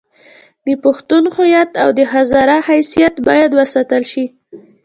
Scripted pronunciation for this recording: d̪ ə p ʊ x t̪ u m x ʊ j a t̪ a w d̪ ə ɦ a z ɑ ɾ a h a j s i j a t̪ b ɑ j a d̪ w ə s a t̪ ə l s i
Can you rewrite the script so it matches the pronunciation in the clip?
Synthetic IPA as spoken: d̪ ə p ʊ x t̪ u n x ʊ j a t̪ a w d̪ ə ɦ a z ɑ ɾ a h a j s i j a t̪ b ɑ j a d̪ w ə s a t̪ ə l ʃ i